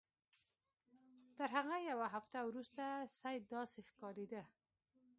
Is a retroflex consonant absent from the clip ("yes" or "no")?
yes